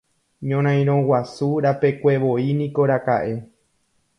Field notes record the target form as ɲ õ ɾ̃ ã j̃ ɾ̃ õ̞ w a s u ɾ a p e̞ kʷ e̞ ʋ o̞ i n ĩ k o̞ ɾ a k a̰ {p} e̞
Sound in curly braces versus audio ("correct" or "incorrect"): incorrect